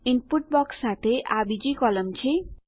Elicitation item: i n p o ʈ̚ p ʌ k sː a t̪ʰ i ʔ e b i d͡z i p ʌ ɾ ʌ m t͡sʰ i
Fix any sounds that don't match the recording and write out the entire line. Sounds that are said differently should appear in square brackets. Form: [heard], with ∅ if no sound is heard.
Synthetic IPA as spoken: i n p [u] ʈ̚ [b] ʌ k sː a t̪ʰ [e] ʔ [a] b i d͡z i [k] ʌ [l] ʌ m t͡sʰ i